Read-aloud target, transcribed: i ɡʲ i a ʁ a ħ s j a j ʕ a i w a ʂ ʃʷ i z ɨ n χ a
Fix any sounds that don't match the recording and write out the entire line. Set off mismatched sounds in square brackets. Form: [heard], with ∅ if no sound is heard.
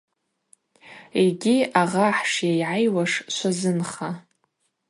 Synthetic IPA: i ɡʲ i a ʁ a ħ [ʂ] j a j ʕ a [j] w a ʂ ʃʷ [a] z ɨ n χ a